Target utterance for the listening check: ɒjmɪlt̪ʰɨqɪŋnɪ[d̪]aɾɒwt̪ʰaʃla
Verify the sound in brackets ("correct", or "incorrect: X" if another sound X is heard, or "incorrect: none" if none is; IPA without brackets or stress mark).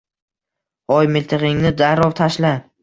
correct